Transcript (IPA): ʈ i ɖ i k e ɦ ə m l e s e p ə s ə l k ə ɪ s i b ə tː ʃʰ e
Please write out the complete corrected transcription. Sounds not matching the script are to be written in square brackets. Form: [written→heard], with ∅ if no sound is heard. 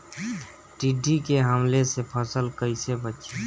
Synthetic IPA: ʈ i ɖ i k e ɦ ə m l e s e [p→pʰ] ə s ə l k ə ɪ s [i→e] b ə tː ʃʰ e